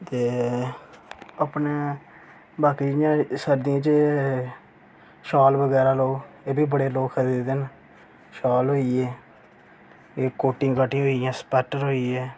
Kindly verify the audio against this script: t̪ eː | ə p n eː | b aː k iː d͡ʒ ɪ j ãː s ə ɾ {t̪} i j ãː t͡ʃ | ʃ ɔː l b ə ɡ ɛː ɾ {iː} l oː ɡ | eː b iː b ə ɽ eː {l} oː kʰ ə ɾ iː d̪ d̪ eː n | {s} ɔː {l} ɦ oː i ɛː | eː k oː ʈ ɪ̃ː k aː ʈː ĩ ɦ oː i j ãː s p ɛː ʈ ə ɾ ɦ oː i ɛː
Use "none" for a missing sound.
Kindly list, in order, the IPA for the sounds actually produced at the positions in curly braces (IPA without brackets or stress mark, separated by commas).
d̪, aː, l, ʃ, l